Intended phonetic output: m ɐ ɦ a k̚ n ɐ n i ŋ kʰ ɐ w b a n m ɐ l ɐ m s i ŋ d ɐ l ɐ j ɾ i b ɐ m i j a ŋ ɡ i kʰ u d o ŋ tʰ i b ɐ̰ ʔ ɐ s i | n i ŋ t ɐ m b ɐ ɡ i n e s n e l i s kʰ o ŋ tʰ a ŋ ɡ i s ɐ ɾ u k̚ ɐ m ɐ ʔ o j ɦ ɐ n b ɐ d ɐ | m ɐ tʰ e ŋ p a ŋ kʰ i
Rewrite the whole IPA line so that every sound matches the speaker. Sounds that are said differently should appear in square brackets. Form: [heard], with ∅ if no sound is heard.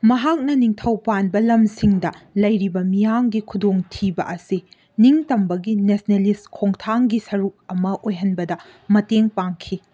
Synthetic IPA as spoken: m ɐ ɦ a k̚ n ɐ n i ŋ [tʰ] ɐ w [p] a n [b] ɐ l ɐ m s i ŋ d ɐ l ɐ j ɾ i b ɐ m i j a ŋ ɡ i kʰ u d o ŋ tʰ i b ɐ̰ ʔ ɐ s i | n i ŋ t ɐ m b ɐ ɡ i n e s n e l i s kʰ o ŋ tʰ a ŋ ɡ i s ɐ ɾ u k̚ ɐ m ɐ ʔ o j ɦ ɐ n b ɐ d ɐ | m ɐ [t] e ŋ p a ŋ kʰ i